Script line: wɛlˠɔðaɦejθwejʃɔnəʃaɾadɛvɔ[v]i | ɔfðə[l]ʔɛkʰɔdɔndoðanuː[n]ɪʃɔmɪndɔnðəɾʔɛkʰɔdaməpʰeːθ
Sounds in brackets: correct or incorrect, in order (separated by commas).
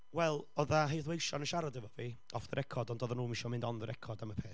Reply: correct, incorrect, incorrect